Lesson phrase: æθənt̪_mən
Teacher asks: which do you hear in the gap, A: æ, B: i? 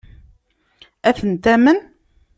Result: A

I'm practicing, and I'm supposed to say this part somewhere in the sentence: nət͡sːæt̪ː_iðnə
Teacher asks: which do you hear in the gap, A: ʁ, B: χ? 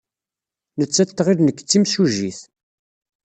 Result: A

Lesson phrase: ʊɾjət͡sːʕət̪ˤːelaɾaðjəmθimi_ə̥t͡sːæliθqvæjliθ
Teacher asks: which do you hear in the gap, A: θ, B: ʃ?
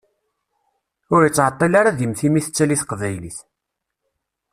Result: A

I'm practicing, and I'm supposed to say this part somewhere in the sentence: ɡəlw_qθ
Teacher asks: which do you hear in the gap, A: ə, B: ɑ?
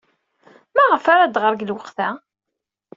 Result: A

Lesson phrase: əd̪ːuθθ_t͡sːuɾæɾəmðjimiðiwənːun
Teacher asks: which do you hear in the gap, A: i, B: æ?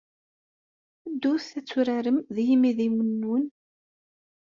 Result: B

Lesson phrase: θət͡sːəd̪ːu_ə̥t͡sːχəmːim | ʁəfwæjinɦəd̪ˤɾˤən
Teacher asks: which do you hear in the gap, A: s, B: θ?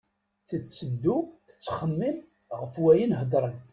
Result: B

